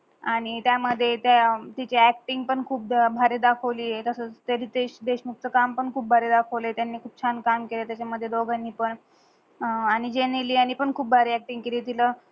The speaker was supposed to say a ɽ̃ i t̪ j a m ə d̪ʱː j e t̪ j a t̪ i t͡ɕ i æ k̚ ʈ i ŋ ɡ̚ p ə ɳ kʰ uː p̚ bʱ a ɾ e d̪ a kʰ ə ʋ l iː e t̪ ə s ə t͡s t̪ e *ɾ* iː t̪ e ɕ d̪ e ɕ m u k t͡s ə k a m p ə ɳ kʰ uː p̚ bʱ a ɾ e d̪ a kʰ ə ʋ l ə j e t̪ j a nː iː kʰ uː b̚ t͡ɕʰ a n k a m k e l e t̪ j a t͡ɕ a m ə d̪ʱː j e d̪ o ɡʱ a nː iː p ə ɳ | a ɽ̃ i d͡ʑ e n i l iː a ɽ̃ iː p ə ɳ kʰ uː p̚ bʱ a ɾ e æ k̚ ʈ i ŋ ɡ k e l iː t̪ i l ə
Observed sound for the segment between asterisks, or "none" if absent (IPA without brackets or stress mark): ɾ